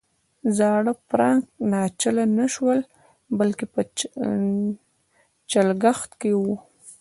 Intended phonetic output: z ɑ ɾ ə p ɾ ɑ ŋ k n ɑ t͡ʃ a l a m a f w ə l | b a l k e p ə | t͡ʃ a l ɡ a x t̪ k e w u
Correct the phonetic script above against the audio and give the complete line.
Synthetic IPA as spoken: z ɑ ɽ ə p ɾ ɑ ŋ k n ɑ t͡ʃ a l a n a ʃ w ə l | b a l k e p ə | t͡ʃ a l ɡ a x t̪ k e w u